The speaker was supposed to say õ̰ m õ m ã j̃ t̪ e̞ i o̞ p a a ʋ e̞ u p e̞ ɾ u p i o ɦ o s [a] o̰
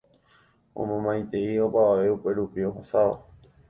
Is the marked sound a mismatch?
no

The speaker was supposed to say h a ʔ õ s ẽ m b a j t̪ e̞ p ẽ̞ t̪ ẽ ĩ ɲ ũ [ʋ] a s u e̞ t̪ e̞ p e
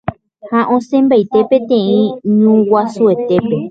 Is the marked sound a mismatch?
yes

